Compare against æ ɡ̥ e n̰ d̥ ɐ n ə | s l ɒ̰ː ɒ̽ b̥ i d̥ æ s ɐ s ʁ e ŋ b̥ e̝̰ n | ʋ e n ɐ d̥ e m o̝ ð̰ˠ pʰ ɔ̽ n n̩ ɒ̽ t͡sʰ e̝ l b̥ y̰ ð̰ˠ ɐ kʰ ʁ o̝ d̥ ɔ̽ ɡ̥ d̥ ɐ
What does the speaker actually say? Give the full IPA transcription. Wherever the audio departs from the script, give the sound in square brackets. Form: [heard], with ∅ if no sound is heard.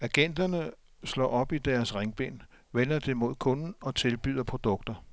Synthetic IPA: æ ɡ̥ e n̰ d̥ ɐ n ə | s l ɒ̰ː ɒ̽ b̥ i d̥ æ [∅] ɐ s ʁ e ŋ b̥ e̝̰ n | ʋ e n ɐ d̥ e m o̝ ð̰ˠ [kʰ] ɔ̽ n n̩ ɒ̽ t͡sʰ e̝ l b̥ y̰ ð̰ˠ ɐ [pʰ] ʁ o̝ d̥ ɔ̽ ɡ̥ d̥ ɐ